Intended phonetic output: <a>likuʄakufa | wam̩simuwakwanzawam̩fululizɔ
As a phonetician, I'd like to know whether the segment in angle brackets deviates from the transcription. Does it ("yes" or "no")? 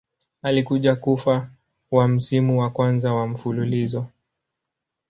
no